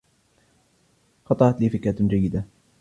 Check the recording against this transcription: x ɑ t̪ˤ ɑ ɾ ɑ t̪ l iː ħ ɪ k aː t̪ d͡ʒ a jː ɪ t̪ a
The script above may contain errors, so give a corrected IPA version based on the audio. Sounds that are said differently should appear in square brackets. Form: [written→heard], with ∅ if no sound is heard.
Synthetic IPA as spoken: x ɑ t̪ˤ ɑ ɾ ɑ t̪ l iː [ħ→f] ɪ k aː t̪ d͡ʒ a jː ɪ [t̪→d̪] a